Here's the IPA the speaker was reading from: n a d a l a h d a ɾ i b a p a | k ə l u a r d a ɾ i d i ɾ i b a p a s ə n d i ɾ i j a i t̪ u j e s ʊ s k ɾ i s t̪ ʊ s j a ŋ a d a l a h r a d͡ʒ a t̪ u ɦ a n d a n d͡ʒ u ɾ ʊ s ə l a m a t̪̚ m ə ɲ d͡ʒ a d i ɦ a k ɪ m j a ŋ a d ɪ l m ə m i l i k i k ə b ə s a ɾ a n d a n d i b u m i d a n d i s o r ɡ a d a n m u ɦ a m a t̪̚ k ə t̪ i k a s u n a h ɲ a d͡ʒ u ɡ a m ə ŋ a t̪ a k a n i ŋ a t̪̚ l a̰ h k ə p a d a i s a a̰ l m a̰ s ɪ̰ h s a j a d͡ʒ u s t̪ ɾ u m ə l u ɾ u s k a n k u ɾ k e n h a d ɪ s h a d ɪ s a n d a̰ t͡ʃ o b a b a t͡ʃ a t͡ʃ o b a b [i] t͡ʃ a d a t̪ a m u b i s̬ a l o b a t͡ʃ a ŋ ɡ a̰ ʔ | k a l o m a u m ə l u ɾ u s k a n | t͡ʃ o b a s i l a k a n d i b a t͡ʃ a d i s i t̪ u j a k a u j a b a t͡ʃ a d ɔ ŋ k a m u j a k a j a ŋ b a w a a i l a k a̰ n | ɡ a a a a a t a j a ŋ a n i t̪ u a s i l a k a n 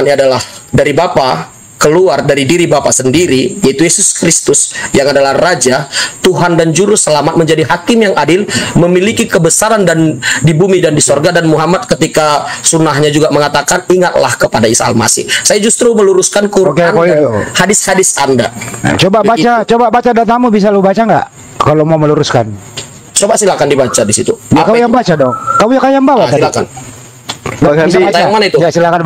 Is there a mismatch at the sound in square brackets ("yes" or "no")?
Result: yes